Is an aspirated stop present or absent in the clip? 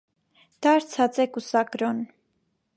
present